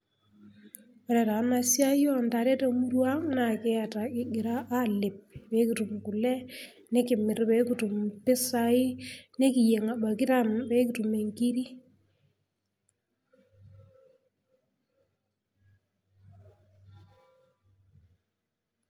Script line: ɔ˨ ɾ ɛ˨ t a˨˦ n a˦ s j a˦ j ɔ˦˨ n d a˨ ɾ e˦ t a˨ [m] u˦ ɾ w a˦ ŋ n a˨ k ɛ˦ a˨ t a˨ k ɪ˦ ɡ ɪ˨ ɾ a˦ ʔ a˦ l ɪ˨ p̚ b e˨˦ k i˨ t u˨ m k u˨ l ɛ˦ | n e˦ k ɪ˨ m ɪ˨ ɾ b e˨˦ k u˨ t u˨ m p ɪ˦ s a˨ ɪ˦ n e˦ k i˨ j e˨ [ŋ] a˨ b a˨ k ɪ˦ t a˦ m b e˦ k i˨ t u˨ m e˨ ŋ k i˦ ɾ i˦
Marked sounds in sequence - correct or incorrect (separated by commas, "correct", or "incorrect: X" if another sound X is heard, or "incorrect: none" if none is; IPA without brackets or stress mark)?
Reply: correct, correct